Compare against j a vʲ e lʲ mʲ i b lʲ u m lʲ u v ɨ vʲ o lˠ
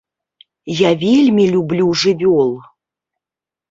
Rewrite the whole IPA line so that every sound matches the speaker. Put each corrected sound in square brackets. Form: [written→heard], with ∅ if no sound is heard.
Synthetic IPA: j a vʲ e lʲ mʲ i [b→∅] lʲ u [m→b] lʲ u [v→ʐ] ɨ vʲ o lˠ